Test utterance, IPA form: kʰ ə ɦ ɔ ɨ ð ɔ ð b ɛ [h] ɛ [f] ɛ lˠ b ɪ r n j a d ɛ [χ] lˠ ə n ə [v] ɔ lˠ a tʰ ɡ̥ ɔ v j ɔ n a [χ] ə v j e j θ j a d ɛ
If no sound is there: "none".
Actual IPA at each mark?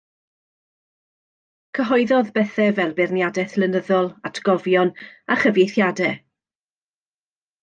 θ, v, θ, ð, χ

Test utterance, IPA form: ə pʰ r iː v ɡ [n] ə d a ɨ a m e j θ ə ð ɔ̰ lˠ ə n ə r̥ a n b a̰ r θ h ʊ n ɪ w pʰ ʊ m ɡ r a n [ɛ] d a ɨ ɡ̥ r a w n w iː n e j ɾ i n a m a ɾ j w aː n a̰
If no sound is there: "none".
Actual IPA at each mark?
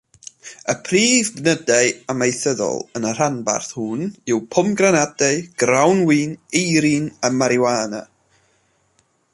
n, a

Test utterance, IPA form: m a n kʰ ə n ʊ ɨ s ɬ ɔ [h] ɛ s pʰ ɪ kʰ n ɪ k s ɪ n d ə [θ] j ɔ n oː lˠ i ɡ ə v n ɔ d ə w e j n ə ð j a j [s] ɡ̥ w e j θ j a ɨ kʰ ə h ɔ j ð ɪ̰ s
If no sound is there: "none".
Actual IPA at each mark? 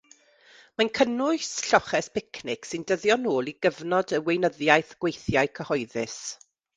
χ, ð, θ

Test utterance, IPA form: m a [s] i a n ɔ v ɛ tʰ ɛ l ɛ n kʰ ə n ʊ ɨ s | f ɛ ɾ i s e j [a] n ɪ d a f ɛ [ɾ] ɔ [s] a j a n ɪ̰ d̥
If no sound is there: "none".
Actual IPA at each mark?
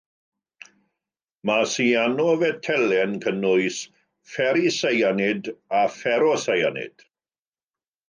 s, a, ɾ, s

